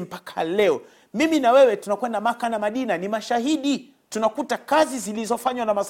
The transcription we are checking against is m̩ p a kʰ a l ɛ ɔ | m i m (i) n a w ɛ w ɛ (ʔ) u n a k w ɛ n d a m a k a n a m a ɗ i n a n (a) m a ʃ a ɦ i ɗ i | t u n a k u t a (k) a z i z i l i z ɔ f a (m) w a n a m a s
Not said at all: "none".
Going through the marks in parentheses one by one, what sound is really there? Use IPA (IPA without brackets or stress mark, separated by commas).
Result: i, t, i, k, ɲ